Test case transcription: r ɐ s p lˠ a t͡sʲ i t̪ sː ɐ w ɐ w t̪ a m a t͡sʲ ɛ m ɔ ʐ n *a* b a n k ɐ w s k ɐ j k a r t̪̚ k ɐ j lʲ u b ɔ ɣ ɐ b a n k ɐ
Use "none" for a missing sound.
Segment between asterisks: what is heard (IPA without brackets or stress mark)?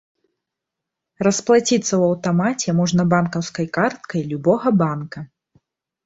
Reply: ɐ